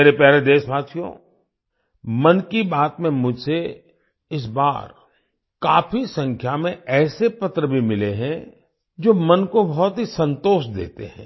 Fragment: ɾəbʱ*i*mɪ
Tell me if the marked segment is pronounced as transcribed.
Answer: yes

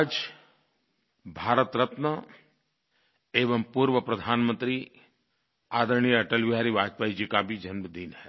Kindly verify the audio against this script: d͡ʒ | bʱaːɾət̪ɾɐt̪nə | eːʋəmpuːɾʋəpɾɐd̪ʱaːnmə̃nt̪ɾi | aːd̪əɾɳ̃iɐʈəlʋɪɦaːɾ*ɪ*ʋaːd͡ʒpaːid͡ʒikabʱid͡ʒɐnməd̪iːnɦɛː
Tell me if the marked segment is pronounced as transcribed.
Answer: no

